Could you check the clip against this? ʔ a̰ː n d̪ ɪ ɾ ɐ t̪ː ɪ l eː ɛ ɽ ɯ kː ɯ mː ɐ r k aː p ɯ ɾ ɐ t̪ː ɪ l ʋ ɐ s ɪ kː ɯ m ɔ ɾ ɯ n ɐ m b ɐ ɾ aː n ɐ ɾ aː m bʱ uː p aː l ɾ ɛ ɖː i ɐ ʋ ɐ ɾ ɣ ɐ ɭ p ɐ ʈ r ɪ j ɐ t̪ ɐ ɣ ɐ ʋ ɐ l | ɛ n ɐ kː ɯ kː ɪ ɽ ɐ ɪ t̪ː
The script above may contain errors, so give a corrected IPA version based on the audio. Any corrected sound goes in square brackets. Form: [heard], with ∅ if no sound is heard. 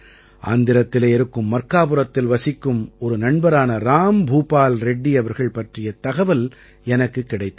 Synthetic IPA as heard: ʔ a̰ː n d̪ ɪ ɾ ɐ t̪ː ɪ l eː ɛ [ɾ] ɯ kː ɯ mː ɐ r k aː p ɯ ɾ ɐ t̪ː ɪ l ʋ ɐ s ɪ kː ɯ m ɔ ɾ ɯ n ɐ [ɳ] b ɐ ɾ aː n ɐ ɾ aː m bʱ uː p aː l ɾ ɛ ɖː i ɐ ʋ ɐ ɾ ɣ ɐ ɭ p ɐ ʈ r ɪ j ɐ t̪ ɐ ɣ ɐ ʋ ɐ l | ɛ n ɐ kː ɯ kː ɪ ɽ ɐ ɪ t̪ː